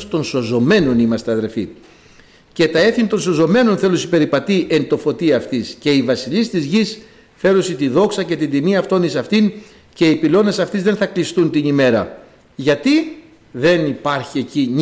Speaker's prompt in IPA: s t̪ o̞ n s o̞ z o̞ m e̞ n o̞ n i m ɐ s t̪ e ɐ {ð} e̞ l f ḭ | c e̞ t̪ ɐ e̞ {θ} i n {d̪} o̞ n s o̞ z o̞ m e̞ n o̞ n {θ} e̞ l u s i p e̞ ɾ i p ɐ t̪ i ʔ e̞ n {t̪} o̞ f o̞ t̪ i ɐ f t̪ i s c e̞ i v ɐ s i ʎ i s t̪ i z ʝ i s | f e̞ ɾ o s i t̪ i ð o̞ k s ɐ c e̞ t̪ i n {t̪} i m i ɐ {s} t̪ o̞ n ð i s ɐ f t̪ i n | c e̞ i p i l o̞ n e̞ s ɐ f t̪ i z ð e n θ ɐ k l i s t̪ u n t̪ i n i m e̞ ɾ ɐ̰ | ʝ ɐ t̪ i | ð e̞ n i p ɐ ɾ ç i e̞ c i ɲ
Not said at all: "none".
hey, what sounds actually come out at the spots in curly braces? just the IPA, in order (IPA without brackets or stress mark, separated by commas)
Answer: ð, θ, t̪, θ, t̪, d̪, f